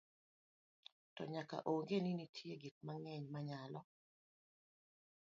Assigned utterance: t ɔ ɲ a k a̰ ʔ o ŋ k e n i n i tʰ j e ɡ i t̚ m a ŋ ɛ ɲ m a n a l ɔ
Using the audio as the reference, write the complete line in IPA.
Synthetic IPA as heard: t ɔ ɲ a k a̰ ʔ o ŋ ɡ e n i n i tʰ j e ɡ i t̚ m a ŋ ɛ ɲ m a ɲ a l ɔ